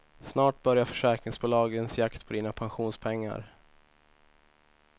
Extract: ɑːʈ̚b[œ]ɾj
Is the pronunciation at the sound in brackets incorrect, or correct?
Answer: correct